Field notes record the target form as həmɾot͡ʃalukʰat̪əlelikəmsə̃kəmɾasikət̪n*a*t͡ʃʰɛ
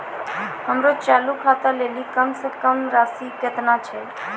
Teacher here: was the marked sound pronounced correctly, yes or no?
yes